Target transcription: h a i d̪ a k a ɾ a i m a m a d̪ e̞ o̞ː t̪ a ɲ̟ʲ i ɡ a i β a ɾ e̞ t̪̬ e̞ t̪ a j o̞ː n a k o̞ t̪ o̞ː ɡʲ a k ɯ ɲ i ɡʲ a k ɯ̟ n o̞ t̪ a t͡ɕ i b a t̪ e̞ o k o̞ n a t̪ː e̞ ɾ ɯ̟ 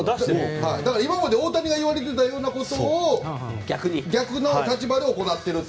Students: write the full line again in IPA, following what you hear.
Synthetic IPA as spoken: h a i d̪ a k a ɾ a i m a m a d̪ e̞ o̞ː t̪ a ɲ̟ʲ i ɡ a i β a ɾ e̞ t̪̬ e̞ t̪ a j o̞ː n a k o̞ t̪ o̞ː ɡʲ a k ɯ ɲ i ɡʲ a k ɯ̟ n o̞ t̪ a t͡ɕ i b a d̪ e̞ o k o̞ n a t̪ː e̞ ɾ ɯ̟